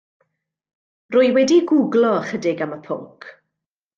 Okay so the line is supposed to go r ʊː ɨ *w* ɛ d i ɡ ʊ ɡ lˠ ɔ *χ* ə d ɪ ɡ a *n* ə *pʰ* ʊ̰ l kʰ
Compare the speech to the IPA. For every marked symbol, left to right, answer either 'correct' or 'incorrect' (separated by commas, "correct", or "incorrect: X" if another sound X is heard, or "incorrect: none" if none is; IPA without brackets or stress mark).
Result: correct, correct, incorrect: m, correct